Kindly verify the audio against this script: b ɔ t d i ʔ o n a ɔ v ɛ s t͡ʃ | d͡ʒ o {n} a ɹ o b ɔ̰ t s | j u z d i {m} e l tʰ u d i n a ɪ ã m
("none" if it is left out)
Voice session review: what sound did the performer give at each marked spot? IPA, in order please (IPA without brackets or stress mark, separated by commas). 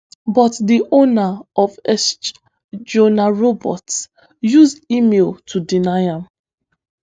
n, m